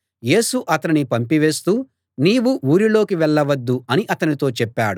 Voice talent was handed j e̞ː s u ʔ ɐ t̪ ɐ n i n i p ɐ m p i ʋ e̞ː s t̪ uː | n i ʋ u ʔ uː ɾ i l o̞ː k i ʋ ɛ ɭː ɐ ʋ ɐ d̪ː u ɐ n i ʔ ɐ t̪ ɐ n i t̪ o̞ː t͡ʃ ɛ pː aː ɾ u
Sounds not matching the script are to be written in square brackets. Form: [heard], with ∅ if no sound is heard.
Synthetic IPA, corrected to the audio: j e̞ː s u ʔ ɐ t̪ ɐ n i n i p ɐ m p i ʋ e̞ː s t̪ uː | n [iː] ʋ u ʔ uː ɾ i l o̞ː k i ʋ ɛ ɭː ɐ ʋ ɐ d̪ː u ɐ n i ʔ ɐ t̪ ɐ n i t̪ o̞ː t͡ʃ ɛ pː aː [ɽ] u

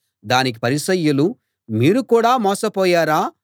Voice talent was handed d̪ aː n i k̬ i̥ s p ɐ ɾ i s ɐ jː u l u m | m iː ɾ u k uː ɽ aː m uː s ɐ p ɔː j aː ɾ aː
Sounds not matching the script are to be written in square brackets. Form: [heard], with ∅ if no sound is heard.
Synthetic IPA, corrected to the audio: d̪ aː n i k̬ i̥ [∅] p ɐ ɾ i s ɐ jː u l u [∅] | m iː ɾ u k uː ɽ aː m [ɔː] s ɐ p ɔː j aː ɾ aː

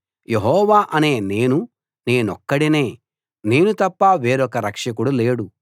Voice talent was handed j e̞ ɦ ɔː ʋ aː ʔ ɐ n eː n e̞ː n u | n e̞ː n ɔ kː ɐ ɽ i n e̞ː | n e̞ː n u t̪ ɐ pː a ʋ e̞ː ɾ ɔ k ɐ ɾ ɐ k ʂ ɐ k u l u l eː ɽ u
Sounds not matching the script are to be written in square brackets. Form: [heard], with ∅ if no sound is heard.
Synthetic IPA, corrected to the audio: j e̞ ɦ ɔː ʋ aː ʔ ɐ n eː n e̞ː n u | n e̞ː n ɔ kː ɐ ɽ i n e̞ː | n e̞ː n u t̪ ɐ pː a ʋ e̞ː ɾ ɔ k ɐ ɾ ɐ k ʂ ɐ k u [ɽ] u l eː ɽ u

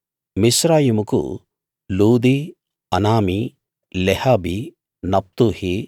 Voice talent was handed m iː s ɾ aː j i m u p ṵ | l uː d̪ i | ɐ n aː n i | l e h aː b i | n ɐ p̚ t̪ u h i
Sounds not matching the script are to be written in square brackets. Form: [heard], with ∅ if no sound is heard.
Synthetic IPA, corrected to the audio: m [i] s ɾ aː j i m u [k] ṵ | l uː d̪ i | ɐ n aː [m] i | l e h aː b i | n ɐ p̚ t̪ u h i

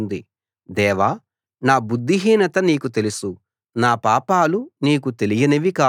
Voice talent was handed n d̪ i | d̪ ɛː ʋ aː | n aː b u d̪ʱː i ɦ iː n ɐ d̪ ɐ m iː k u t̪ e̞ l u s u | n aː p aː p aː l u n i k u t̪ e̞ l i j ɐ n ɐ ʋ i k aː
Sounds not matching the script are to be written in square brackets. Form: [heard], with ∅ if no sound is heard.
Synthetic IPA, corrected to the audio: n d̪ i | d̪ ɛː ʋ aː | n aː b u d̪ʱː i ɦ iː n ɐ [t̪] ɐ [n] iː k u t̪ e̞ l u s u | n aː p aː p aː l u n [iː] k u t̪ e̞ l i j ɐ n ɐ ʋ i k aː

